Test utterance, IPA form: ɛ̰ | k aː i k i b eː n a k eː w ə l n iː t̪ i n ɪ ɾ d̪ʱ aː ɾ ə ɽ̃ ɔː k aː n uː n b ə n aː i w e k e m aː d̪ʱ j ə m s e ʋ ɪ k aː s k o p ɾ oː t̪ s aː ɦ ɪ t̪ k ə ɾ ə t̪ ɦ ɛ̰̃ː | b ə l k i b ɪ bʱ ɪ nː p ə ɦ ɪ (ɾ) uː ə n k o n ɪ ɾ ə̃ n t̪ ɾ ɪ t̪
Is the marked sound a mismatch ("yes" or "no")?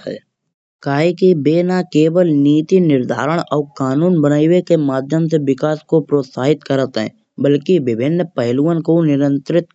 yes